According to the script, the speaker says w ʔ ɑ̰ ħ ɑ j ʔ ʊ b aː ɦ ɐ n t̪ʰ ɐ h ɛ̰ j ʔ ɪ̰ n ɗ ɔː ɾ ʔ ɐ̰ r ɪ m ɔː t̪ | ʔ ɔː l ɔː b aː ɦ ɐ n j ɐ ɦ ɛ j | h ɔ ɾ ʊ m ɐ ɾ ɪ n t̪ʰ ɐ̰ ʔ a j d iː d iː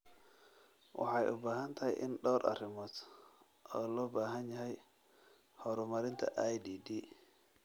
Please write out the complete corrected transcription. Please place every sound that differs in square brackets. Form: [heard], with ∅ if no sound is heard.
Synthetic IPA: w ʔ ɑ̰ ħ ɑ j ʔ ʊ b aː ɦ ɐ n t̪ʰ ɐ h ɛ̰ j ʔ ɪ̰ n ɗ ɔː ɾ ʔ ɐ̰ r ɪ m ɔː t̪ | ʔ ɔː l ɔː b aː ɦ ɐ n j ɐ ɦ ɛ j | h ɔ ɾ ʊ m ɐ ɾ ɪ n t̪ʰ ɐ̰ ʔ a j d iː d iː